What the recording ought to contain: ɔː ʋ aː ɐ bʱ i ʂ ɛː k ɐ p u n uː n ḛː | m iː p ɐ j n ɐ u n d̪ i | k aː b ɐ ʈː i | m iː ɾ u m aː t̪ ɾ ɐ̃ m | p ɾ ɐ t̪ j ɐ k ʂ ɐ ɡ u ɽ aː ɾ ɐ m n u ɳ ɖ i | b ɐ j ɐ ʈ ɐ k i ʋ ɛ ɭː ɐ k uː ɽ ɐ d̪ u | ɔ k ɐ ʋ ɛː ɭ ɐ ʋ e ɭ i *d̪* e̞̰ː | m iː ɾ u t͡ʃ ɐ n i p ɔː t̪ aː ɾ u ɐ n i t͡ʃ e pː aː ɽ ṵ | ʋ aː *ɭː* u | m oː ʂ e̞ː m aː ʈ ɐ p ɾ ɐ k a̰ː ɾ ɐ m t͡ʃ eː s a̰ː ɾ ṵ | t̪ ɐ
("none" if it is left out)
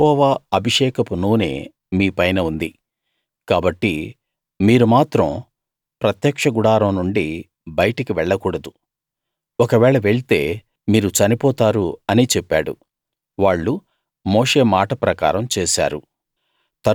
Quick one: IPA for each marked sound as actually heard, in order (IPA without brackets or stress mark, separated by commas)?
t̪, ɭː